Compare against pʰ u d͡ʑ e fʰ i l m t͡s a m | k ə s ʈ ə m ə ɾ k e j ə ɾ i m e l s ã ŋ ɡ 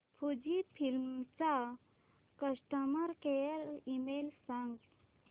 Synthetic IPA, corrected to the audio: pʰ u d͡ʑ i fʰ i l m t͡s a | k ə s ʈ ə m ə ɾ k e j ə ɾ i m e l s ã ŋ ɡ